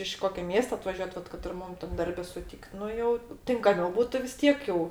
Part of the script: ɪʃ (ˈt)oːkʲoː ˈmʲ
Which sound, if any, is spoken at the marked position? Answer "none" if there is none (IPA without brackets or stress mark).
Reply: k